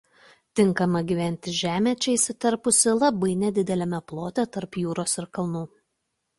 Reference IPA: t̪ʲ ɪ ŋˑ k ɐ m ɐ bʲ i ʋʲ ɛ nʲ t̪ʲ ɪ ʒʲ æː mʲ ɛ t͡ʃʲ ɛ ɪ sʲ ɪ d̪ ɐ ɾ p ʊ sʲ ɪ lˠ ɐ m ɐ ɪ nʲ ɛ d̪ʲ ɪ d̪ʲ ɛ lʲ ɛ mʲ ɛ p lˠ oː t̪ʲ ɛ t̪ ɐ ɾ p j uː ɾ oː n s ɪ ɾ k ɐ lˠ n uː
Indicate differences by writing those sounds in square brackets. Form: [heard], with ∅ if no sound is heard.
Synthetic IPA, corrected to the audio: t̪ʲ ɪ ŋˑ k ɐ m ɐ [ɡʲ] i ʋʲ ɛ nʲ t̪ʲ ɪ ʒʲ æː mʲ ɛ t͡ʃʲ ɛ ɪ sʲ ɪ [t̪] ɐ ɾ p ʊ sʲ ɪ lˠ ɐ [b] ɐ ɪ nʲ ɛ d̪ʲ ɪ d̪ʲ ɛ lʲ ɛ mʲ ɛ p lˠ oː t̪ʲ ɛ t̪ ɐ ɾ p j uː ɾ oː [∅] s ɪ ɾ k ɐ lˠ n uː